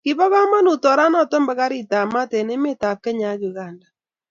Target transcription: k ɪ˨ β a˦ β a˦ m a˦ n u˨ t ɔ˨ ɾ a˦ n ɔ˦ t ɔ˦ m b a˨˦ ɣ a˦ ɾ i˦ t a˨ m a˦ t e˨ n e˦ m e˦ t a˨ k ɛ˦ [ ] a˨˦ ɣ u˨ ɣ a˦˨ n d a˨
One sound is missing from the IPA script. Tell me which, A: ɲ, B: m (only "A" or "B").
A